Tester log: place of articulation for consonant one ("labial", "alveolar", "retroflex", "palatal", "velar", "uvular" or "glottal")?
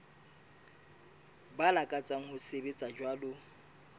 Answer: labial